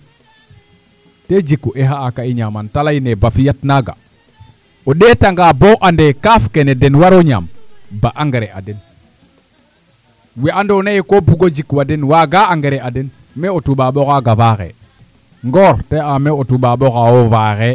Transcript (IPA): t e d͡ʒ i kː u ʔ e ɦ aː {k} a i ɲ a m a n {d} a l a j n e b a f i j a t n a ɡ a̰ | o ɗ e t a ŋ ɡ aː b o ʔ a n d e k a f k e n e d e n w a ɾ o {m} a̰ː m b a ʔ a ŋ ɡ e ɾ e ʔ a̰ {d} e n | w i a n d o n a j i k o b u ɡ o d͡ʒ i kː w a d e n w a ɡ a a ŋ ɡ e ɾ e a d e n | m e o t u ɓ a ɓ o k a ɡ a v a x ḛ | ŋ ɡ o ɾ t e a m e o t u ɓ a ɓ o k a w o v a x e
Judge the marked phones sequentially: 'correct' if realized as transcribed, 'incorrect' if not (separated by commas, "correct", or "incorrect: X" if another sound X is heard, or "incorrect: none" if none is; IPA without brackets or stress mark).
correct, incorrect: t, incorrect: ɲ, correct